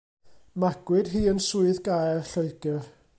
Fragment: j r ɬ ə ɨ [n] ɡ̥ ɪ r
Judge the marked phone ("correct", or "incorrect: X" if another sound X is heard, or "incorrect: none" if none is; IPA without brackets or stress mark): incorrect: none